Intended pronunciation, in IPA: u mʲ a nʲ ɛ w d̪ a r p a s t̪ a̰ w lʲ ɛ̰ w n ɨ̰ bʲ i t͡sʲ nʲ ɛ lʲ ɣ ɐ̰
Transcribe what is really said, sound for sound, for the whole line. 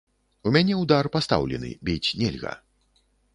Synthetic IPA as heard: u mʲ a nʲ ɛ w d̪ a r p a s t̪ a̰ w lʲ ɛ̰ n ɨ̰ bʲ i t͡sʲ nʲ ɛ lʲ ɣ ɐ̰